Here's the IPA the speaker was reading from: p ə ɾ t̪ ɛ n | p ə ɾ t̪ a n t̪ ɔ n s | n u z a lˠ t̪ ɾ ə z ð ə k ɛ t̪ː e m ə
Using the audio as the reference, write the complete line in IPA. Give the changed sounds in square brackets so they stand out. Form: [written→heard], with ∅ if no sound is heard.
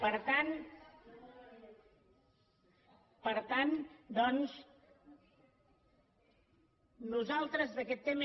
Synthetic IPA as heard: p ə ɾ t̪ [ɛ→a] n | p ə ɾ t̪ a n [t̪→d̪] ɔ n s | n u z a lˠ t̪ ɾ ə z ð ə k ɛ t̪ː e m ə